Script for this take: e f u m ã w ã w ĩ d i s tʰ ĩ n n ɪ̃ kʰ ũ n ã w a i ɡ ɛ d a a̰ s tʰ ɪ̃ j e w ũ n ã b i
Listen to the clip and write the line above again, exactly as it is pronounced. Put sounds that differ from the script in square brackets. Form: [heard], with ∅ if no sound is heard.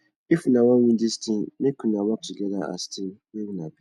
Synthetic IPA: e f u [n] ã w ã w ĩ d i s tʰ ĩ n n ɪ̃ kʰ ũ n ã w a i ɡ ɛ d a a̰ s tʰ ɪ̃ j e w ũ n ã b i